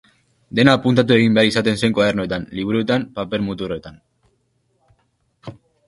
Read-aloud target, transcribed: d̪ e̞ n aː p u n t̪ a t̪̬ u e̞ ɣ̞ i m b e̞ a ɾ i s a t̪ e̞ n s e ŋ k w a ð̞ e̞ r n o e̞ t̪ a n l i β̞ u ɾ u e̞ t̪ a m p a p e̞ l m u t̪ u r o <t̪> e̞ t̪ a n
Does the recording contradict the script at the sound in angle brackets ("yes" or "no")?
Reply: yes